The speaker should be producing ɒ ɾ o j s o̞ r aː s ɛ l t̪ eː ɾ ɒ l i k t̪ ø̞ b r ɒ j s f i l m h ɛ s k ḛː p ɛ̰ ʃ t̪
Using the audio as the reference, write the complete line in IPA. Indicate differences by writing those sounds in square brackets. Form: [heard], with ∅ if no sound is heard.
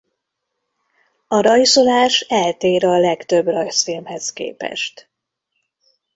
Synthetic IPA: ɒ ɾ [ɒ] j s o̞ [l] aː [ʃ] ɛ l t̪ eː ɾ ɒ l [ɛ] k t̪ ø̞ b r ɒ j s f i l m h ɛ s k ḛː p ɛ̰ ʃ t̪